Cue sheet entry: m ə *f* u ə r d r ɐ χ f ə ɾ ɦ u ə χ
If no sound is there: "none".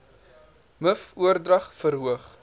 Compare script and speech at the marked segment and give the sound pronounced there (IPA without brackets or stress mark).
f